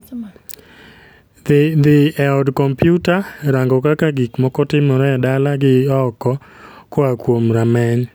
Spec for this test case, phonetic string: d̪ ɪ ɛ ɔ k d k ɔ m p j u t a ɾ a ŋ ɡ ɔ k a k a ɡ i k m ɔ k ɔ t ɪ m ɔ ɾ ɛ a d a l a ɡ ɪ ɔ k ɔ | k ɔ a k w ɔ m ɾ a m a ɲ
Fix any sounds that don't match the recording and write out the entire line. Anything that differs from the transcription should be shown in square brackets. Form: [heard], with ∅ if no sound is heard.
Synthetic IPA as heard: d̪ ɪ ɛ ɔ [∅] d k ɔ m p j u t a ɾ a ŋ ɡ ɔ k a k a ɡ i k m ɔ k ɔ t ɪ m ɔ ɾ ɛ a d a l a ɡ ɪ ɔ k ɔ | k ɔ a k w [o] m ɾ a m [ɛ] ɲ